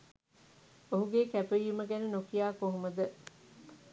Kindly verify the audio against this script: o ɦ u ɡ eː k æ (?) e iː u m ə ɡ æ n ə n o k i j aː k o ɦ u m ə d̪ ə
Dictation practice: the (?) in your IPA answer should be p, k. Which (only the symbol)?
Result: p